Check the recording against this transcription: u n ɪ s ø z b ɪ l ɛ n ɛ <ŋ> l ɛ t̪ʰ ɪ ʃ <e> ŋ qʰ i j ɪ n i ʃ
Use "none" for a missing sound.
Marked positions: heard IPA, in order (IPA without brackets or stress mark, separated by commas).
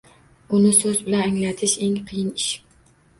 ŋ, e